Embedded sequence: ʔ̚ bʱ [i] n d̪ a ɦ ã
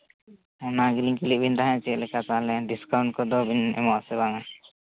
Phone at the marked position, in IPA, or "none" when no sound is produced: i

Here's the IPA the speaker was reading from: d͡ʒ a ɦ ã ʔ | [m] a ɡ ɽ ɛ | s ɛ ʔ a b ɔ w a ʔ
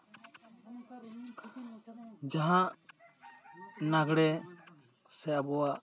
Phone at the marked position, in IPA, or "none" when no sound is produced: n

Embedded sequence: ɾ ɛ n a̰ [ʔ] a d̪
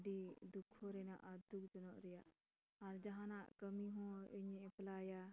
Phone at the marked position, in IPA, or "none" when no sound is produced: ʔ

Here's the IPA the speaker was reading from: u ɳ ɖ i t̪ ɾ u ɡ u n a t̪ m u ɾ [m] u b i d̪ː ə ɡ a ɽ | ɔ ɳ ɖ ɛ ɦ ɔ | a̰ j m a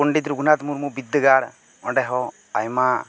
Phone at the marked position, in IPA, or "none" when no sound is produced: m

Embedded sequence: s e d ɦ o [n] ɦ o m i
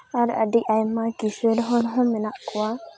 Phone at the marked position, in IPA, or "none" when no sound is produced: n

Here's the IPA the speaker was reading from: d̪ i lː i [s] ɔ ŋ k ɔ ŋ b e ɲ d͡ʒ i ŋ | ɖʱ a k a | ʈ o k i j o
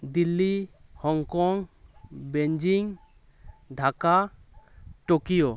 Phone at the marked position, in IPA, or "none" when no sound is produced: h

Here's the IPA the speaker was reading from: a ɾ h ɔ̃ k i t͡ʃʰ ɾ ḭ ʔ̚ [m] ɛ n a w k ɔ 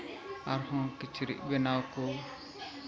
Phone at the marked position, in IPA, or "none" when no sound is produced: b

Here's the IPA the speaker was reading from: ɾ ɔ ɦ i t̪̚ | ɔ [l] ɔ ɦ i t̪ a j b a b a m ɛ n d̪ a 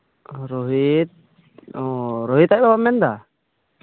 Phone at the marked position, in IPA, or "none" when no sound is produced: ɾ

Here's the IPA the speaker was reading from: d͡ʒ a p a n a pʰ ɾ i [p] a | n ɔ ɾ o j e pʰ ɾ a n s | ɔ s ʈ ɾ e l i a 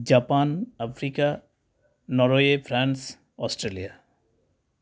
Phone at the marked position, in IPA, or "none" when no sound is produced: k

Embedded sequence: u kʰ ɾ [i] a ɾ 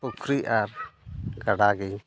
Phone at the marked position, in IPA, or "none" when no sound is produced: i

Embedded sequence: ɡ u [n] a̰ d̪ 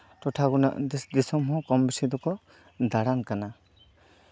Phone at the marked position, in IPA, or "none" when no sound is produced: n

